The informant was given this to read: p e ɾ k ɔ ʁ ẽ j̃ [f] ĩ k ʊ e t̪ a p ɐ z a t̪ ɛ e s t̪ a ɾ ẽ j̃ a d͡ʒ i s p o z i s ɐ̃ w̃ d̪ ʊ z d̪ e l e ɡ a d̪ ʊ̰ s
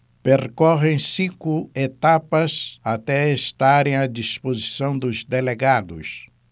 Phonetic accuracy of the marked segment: incorrect: s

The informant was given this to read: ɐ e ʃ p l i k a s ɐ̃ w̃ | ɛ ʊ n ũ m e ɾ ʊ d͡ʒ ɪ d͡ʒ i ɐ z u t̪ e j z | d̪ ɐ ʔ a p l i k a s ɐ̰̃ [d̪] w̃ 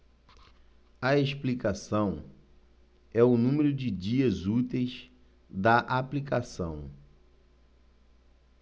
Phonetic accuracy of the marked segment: incorrect: none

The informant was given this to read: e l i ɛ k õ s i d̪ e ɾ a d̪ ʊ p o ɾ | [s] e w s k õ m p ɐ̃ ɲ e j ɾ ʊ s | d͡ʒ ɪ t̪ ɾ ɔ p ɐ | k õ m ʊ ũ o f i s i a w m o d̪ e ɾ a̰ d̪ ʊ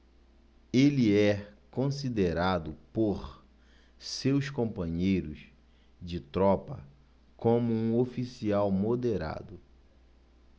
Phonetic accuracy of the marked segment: correct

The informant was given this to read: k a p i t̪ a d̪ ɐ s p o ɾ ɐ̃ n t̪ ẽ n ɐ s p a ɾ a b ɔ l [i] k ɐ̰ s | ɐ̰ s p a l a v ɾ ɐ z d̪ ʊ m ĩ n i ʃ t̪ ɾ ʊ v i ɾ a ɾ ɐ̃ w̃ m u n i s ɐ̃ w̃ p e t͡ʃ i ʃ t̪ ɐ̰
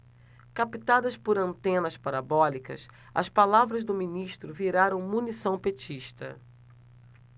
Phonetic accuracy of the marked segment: correct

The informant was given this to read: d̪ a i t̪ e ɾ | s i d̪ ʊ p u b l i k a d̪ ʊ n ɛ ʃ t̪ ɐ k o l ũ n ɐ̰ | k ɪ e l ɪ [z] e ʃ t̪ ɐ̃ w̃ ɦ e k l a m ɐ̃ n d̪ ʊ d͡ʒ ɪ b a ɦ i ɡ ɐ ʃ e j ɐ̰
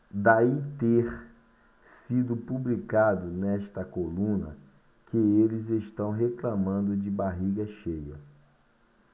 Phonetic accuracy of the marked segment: correct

